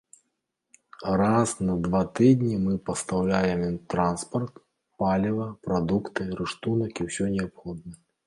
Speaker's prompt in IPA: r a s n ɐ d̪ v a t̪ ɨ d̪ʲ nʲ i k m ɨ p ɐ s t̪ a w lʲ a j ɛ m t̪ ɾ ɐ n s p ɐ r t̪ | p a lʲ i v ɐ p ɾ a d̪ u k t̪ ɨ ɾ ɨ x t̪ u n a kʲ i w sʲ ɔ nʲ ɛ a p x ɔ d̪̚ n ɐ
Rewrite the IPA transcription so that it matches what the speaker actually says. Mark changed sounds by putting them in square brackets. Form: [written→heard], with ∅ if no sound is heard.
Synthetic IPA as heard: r a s n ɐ d̪ v a t̪ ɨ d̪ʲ nʲ i [k→∅] m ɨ p ɐ s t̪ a w lʲ a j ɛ m t̪ ɾ [ɐ→a] n s p ɐ r t̪ | p a lʲ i v ɐ p ɾ a d̪ u k t̪ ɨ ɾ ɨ [x→ʂ] t̪ u n [a→ɐ] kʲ i w sʲ ɔ nʲ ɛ a p x ɔ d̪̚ n ɐ